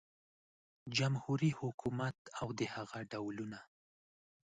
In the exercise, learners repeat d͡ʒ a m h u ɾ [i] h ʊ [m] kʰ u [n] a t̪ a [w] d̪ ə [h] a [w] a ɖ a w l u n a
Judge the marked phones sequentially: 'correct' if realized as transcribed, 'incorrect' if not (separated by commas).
correct, incorrect, incorrect, correct, correct, incorrect